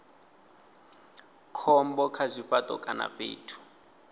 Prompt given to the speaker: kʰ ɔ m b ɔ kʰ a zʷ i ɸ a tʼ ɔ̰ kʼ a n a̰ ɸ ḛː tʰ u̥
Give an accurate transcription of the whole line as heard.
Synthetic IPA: kʰ ɔ m b ɔ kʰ a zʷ i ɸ a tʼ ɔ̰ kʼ a n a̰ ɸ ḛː tʰ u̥